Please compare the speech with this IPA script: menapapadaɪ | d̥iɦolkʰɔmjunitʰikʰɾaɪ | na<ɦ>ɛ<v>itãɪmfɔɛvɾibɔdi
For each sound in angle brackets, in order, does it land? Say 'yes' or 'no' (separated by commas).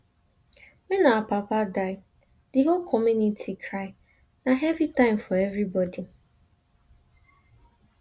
yes, yes